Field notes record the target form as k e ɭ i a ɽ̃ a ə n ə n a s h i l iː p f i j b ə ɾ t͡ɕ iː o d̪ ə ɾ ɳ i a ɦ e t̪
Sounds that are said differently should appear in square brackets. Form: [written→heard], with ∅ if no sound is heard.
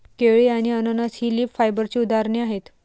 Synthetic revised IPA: k e ɭ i a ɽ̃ [a→i] ə n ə n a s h i l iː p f [i→a] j b ə ɾ t͡ɕ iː [o→u] d̪ [ə→a] ɾ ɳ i a ɦ e t̪